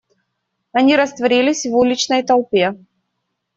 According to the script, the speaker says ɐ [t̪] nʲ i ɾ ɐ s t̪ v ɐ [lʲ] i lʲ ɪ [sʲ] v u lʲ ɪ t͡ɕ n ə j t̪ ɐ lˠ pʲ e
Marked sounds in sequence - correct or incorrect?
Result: incorrect: none, incorrect: ɾʲ, correct

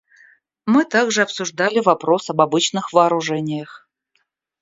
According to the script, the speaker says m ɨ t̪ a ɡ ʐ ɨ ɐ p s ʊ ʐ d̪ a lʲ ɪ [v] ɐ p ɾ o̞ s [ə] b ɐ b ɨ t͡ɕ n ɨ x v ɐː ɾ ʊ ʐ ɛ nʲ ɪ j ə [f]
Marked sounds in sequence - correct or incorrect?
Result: correct, incorrect: ɐ, incorrect: x

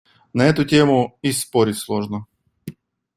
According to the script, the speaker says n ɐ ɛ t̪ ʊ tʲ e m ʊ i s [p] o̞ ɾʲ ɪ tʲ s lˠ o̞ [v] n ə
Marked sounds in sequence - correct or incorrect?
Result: correct, incorrect: ʐ

